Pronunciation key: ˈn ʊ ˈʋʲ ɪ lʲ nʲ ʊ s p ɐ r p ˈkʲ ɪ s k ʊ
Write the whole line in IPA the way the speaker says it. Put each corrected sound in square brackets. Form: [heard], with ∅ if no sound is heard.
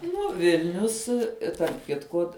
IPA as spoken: ˈn ʊ ˈʋʲ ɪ lʲ nʲ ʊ s [t] ɐ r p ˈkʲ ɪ [t] k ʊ